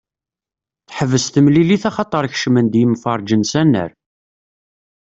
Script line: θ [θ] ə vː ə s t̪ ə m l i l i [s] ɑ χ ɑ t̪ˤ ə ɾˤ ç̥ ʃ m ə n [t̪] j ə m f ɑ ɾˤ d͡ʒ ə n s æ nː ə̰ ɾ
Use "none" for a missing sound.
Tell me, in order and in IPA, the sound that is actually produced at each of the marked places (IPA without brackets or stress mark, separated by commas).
ħ, θ, d̪